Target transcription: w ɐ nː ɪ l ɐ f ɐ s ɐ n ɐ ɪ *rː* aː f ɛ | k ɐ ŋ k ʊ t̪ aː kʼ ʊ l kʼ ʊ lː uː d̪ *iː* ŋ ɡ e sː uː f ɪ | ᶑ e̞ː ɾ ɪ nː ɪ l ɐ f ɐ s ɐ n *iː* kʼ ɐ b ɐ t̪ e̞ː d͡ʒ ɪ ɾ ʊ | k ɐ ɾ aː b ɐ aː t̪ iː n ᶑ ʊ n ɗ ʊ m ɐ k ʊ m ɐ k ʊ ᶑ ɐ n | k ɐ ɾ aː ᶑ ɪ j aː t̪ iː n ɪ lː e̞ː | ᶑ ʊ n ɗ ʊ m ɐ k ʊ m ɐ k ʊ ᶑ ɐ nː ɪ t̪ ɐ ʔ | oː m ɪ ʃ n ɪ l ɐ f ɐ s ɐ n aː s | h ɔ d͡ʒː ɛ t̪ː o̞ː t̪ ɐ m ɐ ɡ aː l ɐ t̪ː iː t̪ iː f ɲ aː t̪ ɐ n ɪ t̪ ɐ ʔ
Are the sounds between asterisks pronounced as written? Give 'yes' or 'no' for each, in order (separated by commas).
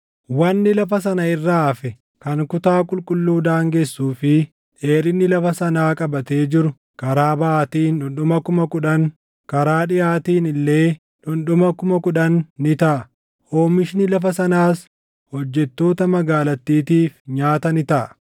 yes, no, no